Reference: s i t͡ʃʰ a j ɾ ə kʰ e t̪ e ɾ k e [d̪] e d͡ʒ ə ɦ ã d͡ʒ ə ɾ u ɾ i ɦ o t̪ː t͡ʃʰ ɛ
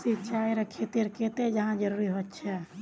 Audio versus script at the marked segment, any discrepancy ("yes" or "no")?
yes